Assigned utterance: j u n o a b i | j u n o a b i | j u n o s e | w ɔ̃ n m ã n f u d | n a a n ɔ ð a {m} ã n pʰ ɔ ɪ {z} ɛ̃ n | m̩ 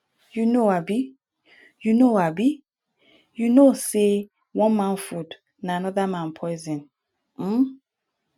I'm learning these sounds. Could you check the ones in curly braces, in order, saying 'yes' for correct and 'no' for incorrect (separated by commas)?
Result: yes, yes